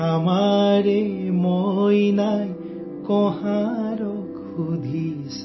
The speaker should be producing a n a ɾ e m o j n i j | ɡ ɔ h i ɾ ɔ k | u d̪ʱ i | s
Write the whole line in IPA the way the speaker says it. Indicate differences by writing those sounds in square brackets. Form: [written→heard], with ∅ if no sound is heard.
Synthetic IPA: a [n→m] a ɾ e m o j n [i→a] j | [ɡ→k] ɔ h [i→a] ɾ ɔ k | u d̪ʱ i | s